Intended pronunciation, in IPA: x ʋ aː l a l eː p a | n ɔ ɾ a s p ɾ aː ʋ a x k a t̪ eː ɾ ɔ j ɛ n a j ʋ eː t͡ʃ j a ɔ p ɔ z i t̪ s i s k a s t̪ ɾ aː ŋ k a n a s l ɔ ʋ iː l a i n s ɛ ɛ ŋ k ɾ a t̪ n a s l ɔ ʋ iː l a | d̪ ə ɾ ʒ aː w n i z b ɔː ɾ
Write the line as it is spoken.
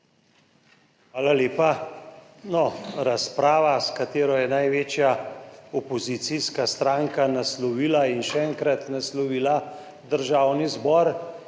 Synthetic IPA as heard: x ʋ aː l a l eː p a | n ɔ ɾ a s p ɾ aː ʋ a s k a t̪ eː ɾ ɔ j ɛ n a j ʋ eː t͡ʃ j a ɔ p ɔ z i t̪ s i s k a s t̪ ɾ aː ŋ k a n a s l ɔ ʋ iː l a i n ʃ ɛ ɛ ŋ k ɾ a t̪ n a s l ɔ ʋ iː l a | d̪ ə ɾ ʒ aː w n i z b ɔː ɾ

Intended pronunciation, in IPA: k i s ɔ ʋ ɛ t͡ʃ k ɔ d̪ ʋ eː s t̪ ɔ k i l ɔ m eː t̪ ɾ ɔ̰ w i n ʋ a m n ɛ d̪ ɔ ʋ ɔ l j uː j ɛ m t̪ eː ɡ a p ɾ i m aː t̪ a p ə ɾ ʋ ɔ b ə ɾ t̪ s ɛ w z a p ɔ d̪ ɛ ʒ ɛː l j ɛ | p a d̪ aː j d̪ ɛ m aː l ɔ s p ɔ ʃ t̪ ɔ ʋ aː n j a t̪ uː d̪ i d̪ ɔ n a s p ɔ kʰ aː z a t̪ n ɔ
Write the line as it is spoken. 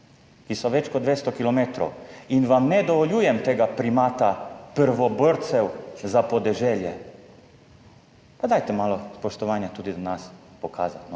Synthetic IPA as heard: k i s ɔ ʋ ɛ t͡ʃ k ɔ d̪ ʋ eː s t̪ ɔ k i l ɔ m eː t̪ ɾ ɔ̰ w i n ʋ a m n ɛ d̪ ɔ ʋ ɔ l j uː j ɛ m t̪ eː ɡ a p ɾ i m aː t̪ a p ə ɾ ʋ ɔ b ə ɾ t̪ s ɛ w z a p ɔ d̪ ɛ ʒ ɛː l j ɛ | p a d̪ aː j t̪ ɛ m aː l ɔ s p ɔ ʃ t̪ ɔ ʋ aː n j a t̪ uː d̪ i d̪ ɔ n a s p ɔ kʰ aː z a t̪ n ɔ

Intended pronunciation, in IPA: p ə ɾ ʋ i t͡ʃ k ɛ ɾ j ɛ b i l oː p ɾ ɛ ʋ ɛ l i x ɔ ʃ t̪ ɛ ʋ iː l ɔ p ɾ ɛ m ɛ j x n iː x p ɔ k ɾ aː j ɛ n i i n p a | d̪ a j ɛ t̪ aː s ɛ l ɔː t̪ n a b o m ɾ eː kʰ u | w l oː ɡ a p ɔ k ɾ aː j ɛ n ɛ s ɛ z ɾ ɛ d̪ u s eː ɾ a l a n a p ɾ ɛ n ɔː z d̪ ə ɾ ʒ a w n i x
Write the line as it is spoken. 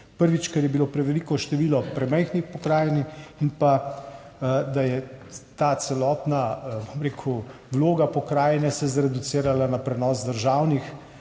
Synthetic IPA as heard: p ə ɾ ʋ i t͡ʃ k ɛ ɾ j ɛ b i l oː p ɾ ɛ ʋ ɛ l i k ɔ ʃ t̪ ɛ ʋ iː l ɔ p ɾ ɛ m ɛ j x n i x p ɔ k ɾ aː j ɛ n i i n p a | d̪ a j ɛ t̪ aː s ɛ l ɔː t̪ n a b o m ɾ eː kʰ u | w l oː ɡ a p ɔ k ɾ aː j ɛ n ɛ s ɛ z ɾ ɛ d̪ u s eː ɾ a l a n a p ɾ ɛ n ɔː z d̪ ə ɾ ʒ a w n i x

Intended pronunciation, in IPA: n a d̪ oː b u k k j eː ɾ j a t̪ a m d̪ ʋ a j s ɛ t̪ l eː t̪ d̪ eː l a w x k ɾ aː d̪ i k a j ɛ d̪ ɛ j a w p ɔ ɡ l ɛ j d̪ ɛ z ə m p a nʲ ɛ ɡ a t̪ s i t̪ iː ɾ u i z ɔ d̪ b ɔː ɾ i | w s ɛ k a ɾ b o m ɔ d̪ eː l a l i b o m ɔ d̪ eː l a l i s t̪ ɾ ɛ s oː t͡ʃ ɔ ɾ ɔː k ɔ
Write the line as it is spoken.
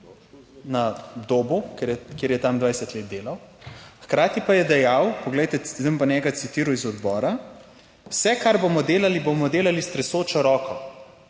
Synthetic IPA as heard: n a d̪ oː b u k k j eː ɾ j ɛ t̪ a m d̪ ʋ a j s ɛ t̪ l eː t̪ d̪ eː l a w x k ɾ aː t̪ i p a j ɛ d̪ ɛ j a w p ɔ ɡ l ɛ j t̪ ɛ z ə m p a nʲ ɛ ɡ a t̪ s i t̪ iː ɾ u i z ɔ d̪ b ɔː ɾ a | w s ɛ k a ɾ b o m ɔ d̪ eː l a l i b o m ɔ d̪ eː l a l i s t̪ ɾ ɛ s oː t͡ʃ ɔ ɾ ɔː k ɔ

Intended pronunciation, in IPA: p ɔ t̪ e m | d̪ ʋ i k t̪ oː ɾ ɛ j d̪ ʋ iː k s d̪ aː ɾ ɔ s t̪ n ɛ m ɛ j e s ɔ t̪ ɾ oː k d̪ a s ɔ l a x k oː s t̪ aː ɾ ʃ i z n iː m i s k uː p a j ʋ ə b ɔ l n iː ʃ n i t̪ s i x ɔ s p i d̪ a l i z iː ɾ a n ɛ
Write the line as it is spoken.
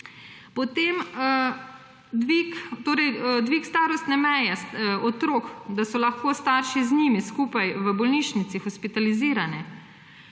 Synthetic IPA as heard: p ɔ t̪ e m | d̪ ʋ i k t̪ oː ɾ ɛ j d̪ ʋ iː k s t̪ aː ɾ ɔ s t̪ n ɛ m ɛ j ɛ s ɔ t̪ ɾ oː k d̪ a s ɔ l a x k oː s t̪ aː ɾ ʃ i z n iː m i s k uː p a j ʋ ə b ɔ l n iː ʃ n i t̪ s i x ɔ s p i t̪ a l i z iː ɾ a n ɛ

